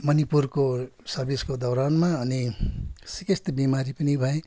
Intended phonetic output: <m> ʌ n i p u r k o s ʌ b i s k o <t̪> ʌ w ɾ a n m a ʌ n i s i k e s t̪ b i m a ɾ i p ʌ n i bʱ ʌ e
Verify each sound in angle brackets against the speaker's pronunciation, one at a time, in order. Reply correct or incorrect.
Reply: correct, incorrect

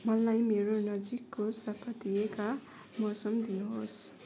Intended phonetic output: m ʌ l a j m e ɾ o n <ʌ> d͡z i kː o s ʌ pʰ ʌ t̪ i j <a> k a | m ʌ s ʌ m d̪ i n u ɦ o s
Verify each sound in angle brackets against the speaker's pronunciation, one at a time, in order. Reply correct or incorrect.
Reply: correct, incorrect

